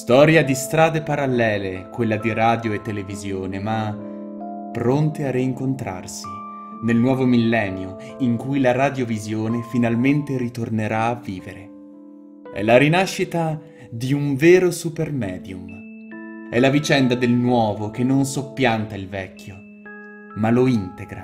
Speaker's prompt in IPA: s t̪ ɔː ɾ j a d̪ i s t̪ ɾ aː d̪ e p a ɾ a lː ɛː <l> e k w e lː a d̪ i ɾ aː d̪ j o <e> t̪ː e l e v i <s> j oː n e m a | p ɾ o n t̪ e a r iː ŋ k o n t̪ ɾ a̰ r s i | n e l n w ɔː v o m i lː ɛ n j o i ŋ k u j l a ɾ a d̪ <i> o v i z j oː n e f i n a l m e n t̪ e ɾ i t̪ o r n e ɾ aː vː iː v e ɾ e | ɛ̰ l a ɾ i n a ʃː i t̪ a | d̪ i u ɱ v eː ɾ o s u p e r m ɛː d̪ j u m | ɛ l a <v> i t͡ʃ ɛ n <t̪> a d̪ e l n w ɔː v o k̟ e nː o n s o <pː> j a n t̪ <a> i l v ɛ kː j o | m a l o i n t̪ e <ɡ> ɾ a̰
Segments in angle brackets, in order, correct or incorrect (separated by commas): correct, correct, incorrect, incorrect, correct, incorrect, correct, correct, correct